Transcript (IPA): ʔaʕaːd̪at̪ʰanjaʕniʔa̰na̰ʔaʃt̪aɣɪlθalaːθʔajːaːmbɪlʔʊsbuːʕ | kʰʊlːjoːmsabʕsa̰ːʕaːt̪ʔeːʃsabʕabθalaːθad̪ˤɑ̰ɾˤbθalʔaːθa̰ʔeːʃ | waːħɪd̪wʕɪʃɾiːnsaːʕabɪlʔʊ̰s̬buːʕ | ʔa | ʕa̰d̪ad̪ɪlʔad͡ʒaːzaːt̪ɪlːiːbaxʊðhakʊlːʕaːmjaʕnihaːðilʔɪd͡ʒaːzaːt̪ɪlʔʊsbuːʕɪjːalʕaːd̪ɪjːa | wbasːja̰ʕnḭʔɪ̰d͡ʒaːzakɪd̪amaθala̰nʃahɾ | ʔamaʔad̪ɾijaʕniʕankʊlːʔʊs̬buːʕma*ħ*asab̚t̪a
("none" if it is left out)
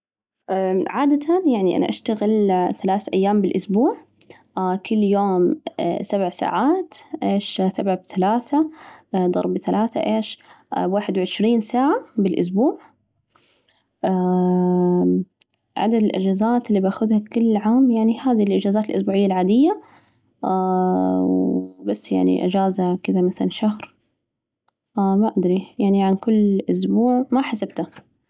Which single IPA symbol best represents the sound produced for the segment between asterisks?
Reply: ħ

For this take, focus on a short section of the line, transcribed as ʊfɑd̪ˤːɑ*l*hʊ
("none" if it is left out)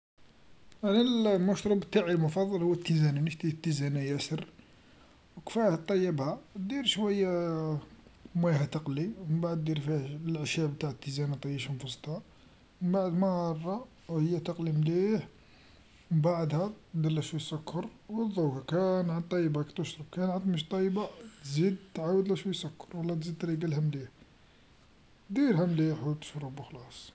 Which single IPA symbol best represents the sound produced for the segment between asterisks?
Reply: l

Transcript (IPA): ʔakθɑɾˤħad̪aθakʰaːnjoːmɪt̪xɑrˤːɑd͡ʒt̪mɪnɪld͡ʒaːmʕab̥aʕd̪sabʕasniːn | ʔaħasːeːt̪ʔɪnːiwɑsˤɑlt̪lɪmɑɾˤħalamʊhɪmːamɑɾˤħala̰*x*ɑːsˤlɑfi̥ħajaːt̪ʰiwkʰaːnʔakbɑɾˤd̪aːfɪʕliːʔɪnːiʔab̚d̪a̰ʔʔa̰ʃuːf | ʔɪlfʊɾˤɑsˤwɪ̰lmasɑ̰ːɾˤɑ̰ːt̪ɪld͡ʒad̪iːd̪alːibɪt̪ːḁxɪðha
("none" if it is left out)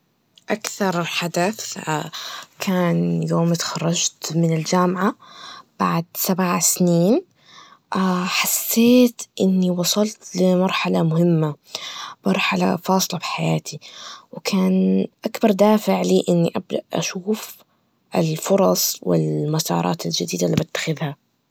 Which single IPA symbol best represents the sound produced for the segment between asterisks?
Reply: f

